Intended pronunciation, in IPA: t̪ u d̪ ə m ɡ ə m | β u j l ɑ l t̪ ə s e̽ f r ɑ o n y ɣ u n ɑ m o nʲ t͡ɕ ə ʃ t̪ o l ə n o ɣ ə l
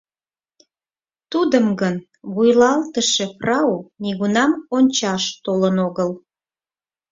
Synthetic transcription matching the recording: t̪ u d̪ ə m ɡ ə n | β u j l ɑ l t̪ ə ʃ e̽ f r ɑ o n i ɣ u n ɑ m o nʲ t͡ɕ ɑ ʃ t̪ o l ə n o ɣ ə l